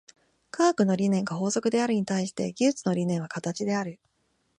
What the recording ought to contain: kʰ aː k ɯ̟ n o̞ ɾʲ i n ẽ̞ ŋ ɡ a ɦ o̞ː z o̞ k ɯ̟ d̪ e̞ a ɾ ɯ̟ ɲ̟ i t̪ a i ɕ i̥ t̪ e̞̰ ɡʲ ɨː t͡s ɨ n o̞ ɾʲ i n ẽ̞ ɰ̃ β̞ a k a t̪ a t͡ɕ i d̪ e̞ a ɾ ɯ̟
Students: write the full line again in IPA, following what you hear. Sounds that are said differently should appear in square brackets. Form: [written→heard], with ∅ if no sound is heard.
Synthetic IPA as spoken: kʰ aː k ɯ̟ n o̞ ɾʲ i n ẽ̞ ŋ ɡ a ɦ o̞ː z o̞ k ɯ̟ d̪ e̞ a ɾ ɯ̟ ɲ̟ i t̪ a i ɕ i̥ t̪ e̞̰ ɡʲ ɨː t͡s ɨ n o̞ ɾʲ i n ẽ̞ ɰ̃ β̞ a k a t̪ a t͡ɕ i d̪ e̞ a ɾ ɯ̟